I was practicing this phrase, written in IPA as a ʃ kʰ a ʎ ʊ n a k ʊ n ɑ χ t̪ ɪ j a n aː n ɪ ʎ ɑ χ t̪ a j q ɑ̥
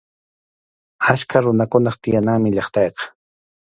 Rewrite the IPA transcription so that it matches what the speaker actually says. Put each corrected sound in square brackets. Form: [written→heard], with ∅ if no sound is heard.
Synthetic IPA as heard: a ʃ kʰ a [ʎ→ɾ] ʊ n a k ʊ n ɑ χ t̪ ɪ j a n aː [n→m] ɪ ʎ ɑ χ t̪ [a→ɑ] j q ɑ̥